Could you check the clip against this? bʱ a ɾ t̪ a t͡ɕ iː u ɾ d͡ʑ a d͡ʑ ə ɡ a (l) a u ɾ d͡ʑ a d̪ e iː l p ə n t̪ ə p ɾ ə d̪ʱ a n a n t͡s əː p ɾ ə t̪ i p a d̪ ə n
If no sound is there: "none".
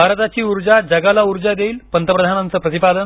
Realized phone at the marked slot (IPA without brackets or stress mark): l